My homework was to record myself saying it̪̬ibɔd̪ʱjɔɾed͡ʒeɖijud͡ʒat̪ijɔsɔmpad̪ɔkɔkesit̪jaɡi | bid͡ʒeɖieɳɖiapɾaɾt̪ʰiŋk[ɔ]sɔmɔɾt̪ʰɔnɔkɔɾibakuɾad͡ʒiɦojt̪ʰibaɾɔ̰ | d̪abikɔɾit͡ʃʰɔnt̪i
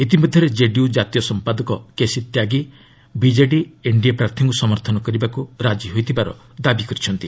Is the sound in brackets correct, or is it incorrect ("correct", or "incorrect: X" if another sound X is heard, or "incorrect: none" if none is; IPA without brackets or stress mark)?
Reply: incorrect: u